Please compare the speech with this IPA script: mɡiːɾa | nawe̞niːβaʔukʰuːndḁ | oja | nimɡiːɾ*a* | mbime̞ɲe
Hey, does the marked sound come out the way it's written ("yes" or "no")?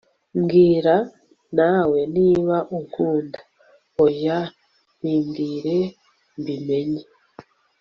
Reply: no